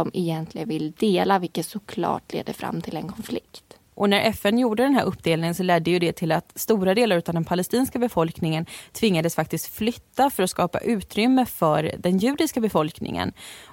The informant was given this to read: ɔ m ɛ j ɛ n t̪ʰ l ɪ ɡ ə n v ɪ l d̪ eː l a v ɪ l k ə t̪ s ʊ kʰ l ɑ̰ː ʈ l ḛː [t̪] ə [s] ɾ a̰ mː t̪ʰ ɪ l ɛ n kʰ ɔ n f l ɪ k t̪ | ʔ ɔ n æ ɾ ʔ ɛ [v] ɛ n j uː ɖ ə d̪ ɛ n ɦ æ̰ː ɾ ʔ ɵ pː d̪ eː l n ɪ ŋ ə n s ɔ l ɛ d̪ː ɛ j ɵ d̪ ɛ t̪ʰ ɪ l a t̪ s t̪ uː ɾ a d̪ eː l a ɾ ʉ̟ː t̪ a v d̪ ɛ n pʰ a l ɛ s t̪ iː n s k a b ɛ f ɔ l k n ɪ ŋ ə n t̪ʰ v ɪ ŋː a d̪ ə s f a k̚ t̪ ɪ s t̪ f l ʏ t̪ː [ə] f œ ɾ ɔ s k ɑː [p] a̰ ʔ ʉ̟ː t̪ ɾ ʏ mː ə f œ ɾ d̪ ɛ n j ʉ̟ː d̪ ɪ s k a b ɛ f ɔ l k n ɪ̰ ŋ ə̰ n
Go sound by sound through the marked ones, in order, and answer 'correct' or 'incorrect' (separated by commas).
incorrect, incorrect, incorrect, incorrect, correct